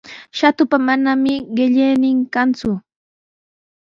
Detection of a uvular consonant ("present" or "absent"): present